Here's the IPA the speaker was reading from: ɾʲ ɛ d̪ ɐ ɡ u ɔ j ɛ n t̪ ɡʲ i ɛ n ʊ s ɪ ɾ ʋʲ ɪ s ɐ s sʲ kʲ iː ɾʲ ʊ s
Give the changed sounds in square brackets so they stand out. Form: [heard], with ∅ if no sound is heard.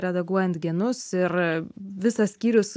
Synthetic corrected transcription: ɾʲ ɛ d̪ ɐ ɡ u ɔ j ɛ n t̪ ɡʲ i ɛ n ʊ s ɪ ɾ ʋʲ ɪ s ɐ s sʲ kʲ iː ɾʲ ʊ s